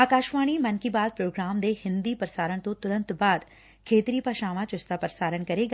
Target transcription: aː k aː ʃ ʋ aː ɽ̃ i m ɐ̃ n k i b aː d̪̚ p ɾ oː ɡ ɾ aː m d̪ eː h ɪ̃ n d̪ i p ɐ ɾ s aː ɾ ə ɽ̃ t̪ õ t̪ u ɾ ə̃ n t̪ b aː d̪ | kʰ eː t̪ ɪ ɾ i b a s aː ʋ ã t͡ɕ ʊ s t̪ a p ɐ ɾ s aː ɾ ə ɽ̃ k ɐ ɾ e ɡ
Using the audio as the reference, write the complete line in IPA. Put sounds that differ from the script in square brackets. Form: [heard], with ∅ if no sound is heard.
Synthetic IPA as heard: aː k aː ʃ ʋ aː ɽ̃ i m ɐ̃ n k i b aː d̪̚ p ɾ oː ɡ ɾ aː m d̪ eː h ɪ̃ n d̪ i p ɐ ɾ s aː ɾ ə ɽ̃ t̪ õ t̪ [ʊ] ɾ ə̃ n t̪ b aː d̪ | kʰ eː t̪ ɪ ɾ i [p] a [ʃ] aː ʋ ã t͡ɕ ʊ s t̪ a p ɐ ɾ s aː ɾ ə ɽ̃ k ɐ ɾ e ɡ